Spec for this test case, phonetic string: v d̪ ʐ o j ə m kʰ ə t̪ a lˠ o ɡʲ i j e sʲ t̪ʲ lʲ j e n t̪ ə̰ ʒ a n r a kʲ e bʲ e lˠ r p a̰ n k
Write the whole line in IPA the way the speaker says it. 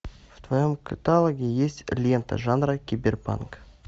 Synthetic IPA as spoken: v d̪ v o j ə m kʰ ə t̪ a lˠ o ɡʲ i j e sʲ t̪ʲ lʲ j e n t̪ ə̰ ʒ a n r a kʲ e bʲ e r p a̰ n k